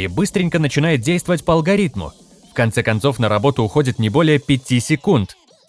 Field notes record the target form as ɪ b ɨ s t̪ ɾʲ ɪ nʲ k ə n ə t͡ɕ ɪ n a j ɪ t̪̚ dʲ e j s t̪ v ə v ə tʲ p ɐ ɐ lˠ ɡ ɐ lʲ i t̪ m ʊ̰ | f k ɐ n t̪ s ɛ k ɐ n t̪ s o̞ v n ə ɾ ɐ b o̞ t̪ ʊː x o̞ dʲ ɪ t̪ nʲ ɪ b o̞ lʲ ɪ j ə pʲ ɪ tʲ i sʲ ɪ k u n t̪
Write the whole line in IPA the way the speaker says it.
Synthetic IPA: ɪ b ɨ s t̪ ɾʲ ɪ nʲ k ə n ə t͡ɕ ɪ n a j ɪ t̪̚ dʲ e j s t̪ v ə v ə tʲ p ə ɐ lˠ ɡ ɐ ɾʲ i t̪ m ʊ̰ | f k ɐ n t̪ s ɛ k ɐ n t̪ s o̞ f n ə ɾ ɐ b o̞ t̪ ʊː x o̞ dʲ ɪ t̪ nʲ ɪ b o̞ lʲ ɪ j ə pʲ ɪ tʲ i sʲ ɪ k u n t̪